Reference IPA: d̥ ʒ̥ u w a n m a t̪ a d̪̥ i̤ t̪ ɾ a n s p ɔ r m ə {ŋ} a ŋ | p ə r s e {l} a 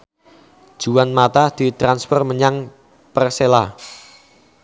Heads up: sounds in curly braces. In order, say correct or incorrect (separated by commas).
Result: incorrect, correct